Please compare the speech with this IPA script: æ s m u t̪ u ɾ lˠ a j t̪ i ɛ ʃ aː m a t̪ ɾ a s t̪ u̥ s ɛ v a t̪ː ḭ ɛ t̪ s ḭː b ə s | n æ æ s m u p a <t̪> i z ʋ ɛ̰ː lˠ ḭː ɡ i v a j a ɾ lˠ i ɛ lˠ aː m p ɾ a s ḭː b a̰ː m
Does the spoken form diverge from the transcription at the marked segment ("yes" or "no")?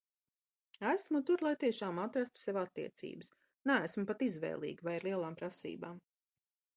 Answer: no